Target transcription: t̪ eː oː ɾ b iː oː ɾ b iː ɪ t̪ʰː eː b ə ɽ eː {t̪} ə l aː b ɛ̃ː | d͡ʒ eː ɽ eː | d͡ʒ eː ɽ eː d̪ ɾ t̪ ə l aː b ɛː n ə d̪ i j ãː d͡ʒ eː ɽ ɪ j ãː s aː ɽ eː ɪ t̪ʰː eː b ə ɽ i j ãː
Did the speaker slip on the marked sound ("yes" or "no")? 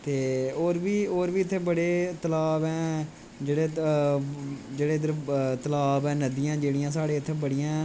no